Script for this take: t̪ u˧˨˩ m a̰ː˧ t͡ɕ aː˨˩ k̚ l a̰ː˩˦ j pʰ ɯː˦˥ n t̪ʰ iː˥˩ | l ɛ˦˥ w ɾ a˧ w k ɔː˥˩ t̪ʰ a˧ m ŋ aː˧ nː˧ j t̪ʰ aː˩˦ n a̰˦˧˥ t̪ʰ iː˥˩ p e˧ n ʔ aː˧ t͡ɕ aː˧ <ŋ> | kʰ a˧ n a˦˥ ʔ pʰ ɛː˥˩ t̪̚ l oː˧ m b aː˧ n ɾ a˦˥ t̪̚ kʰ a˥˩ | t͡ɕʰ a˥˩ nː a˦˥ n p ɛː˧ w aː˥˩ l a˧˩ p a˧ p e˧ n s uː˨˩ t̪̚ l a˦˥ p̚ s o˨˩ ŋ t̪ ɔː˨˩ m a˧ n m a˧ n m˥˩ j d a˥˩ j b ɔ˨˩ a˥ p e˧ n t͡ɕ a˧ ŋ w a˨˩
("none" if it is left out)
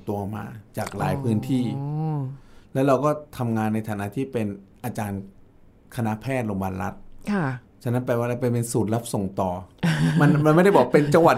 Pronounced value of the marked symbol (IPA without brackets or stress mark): n